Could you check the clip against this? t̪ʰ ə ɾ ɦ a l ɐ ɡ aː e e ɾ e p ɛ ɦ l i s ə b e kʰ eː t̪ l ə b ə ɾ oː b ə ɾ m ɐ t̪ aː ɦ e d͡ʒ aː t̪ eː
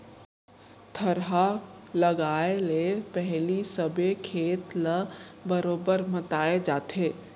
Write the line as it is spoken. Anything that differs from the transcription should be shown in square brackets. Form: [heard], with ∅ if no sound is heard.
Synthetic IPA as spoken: t̪ʰ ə ɾ ɦ a l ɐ ɡ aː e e [l] e p ɛ ɦ l i s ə b e kʰ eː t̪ l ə b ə ɾ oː b ə ɾ m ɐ t̪ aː [∅] e d͡ʒ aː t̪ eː

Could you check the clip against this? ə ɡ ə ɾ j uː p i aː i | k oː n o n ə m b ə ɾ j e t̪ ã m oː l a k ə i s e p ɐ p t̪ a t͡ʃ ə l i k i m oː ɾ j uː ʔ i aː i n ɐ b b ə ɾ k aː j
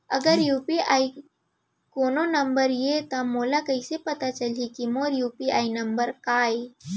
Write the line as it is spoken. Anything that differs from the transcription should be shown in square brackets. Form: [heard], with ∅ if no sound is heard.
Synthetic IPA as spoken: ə ɡ ə ɾ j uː p i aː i | k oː n o n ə m b ə ɾ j e t̪ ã m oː l a k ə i s e p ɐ [∅] t̪ a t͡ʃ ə l i k i m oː ɾ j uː [p] i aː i n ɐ [m] b ə ɾ k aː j

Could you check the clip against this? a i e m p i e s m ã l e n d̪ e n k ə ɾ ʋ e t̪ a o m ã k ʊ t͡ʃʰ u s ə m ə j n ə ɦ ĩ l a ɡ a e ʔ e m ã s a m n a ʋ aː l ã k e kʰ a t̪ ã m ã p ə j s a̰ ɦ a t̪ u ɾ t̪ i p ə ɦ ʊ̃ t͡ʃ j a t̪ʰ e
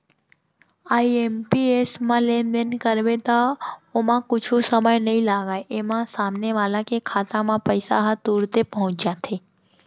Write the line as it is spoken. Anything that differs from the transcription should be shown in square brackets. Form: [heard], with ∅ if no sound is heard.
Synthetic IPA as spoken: a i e m p i e s m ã l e n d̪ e n k ə ɾ ʋ e t̪ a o m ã k ʊ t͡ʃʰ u s ə m ə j n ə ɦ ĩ l a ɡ a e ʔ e m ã s a m n [e] ʋ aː l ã k e kʰ a t̪ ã m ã p ə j s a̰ ɦ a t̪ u ɾ t̪ [e] p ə ɦ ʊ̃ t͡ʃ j a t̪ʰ e

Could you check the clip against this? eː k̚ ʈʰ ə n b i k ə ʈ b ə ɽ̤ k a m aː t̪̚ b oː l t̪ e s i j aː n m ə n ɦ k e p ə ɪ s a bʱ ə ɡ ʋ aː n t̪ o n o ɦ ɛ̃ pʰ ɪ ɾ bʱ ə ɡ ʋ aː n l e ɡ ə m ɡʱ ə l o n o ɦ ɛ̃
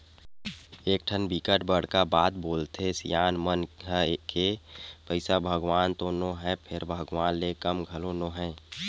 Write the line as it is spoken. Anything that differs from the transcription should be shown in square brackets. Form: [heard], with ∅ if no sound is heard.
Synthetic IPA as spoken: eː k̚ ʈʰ ə n b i k ə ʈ b ə ɽ̤ k a [b] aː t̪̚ b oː l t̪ e s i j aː n m ə n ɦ k e p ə ɪ s a bʱ ə ɡ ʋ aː n t̪ o n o ɦ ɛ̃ pʰ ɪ ɾ bʱ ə ɡ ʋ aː n l e [k] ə m ɡʱ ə l o n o ɦ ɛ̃

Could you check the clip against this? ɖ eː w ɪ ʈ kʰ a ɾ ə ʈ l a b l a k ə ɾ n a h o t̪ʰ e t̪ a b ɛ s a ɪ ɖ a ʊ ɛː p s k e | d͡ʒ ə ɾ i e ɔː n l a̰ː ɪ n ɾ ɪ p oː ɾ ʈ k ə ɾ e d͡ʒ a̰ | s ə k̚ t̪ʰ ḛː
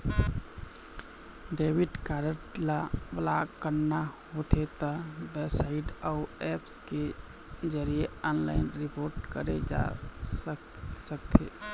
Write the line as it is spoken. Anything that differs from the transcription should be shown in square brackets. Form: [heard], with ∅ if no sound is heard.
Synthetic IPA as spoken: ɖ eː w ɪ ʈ [k] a ɾ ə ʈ l a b l a k ə ɾ n a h o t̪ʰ e t̪ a b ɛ s a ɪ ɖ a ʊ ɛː p s k e | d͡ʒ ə ɾ i e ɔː n l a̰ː ɪ n ɾ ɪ p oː ɾ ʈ k ə ɾ e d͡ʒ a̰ | s ə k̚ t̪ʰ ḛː

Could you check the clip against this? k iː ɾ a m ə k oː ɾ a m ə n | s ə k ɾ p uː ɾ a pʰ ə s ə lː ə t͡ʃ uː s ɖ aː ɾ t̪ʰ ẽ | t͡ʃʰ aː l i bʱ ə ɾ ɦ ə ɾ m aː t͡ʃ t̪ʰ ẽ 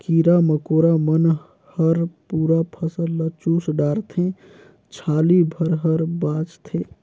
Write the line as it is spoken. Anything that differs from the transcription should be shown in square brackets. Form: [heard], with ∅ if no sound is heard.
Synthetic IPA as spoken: k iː ɾ a m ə k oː ɾ a m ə n | [h] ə [∅] ɾ p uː ɾ a pʰ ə s ə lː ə t͡ʃ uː s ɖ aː ɾ t̪ʰ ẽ | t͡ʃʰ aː l i bʱ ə ɾ ɦ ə ɾ [b] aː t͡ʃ t̪ʰ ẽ

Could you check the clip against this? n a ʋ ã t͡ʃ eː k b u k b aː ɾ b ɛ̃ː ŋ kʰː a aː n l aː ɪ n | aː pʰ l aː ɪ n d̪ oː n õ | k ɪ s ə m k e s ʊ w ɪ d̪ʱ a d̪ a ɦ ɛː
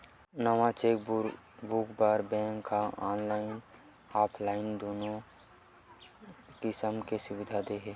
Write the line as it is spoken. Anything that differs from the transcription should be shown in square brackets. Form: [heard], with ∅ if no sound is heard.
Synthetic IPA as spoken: n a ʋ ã t͡ʃ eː k b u k b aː ɾ b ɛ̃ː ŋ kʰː a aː n l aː ɪ n | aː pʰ l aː ɪ n d̪ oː n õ | k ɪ s ə m k e s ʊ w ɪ d̪ʱ a d̪ [e] ɦ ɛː

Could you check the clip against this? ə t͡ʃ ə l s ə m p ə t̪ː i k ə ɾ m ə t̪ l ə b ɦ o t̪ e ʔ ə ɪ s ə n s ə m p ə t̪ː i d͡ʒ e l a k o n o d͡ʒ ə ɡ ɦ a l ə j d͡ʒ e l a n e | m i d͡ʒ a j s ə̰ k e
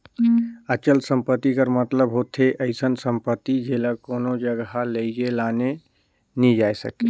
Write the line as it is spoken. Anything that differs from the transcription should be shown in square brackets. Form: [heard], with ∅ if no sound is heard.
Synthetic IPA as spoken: ə t͡ʃ ə l s ə m p ə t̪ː i k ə ɾ m ə t̪ l ə b ɦ o [t̪ʰ] e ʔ ə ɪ s ə n s ə m p ə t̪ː i d͡ʒ e l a k o n o d͡ʒ ə ɡ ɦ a l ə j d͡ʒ e l a n e | [n] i d͡ʒ a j s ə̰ k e

